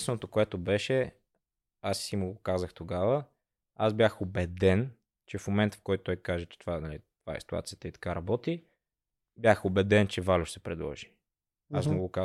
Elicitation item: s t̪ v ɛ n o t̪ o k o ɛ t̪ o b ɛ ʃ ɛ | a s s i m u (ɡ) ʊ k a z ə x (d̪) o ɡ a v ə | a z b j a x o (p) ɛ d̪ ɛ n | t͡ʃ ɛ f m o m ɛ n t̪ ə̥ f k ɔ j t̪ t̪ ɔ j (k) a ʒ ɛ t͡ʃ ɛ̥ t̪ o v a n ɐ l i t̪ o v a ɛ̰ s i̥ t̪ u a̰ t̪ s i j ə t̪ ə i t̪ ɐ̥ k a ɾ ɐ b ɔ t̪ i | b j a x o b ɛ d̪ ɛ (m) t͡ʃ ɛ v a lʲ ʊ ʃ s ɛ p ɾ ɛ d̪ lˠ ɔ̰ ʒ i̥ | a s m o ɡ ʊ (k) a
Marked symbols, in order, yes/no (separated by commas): yes, no, no, yes, no, yes